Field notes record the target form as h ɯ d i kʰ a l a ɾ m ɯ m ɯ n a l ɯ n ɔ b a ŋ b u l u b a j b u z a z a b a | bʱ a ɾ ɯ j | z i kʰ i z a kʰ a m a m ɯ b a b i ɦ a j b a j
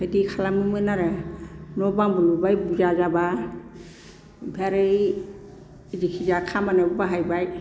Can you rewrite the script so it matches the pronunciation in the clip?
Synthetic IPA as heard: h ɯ d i kʰ a l a m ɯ m ɯ n a ɾ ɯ n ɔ b a ŋ b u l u b a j b u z a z a b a | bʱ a ɾ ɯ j | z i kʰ i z a kʰ a m a n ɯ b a b a ɦ a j b a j